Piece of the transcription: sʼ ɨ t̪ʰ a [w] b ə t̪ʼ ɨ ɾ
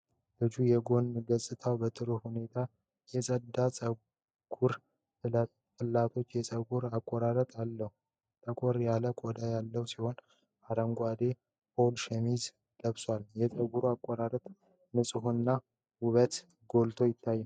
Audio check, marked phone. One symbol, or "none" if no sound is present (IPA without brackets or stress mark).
w